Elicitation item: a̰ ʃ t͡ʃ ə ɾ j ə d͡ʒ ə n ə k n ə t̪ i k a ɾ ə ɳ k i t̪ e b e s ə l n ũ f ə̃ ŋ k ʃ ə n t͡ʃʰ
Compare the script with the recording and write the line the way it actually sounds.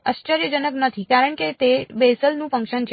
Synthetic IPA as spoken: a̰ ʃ t͡ʃ ə ɾ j ə d͡ʒ ə n ə k n ə t̪ʰ i k a ɾ ə ɳ k e t̪ e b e s ə l n ũ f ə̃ ŋ k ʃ ə n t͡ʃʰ